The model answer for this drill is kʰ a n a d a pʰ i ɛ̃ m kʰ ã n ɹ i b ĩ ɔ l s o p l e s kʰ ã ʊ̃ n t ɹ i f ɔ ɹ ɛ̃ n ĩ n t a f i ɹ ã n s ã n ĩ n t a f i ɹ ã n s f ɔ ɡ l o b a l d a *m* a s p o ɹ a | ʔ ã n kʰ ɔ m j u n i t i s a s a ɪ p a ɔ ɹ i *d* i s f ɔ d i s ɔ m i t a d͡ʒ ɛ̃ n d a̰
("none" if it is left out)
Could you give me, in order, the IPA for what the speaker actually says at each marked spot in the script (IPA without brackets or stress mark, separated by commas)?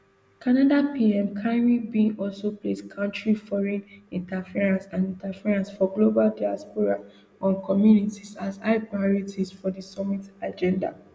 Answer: none, t